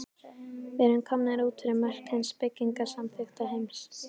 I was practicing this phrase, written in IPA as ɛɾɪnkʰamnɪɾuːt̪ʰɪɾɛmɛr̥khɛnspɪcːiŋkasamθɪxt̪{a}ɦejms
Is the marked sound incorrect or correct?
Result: correct